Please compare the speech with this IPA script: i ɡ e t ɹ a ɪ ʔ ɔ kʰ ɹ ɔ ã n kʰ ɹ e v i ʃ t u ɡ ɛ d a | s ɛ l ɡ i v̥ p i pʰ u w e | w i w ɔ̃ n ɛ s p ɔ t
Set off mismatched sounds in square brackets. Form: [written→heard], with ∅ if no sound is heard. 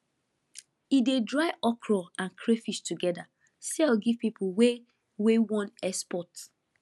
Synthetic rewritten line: i [ɡ→d] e [t→d] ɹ a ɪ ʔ ɔ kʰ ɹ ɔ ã n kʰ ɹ e [v→f] i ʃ t u ɡ ɛ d a | s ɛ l ɡ i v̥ p i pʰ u w e | w [i→e] w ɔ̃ n ɛ s p ɔ t